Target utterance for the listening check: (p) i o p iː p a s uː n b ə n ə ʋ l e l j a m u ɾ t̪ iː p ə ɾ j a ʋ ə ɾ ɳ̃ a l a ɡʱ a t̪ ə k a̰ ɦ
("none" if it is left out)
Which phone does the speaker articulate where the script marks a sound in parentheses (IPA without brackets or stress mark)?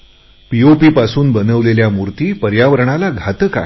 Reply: p